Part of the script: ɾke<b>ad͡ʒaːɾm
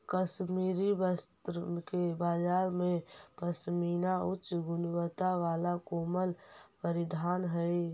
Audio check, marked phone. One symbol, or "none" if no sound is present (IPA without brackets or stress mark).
b